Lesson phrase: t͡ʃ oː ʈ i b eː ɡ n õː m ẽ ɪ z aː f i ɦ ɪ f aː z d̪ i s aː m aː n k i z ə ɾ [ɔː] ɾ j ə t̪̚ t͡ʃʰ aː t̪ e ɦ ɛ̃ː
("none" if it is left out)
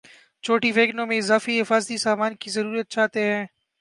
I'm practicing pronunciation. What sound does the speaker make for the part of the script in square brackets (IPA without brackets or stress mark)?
uː